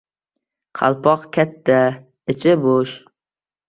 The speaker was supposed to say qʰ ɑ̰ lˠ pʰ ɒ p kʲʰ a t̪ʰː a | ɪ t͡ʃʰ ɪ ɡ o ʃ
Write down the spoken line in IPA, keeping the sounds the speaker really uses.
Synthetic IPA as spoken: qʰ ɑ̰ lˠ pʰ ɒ q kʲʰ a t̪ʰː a | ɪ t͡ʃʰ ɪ b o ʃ